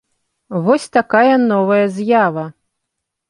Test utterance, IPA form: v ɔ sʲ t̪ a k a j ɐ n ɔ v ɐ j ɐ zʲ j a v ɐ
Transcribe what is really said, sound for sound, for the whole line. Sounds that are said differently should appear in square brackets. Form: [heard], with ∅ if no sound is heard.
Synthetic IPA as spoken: v ɔ sʲ t̪ a k a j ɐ n ɔ v ɐ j ɐ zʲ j a v ɐ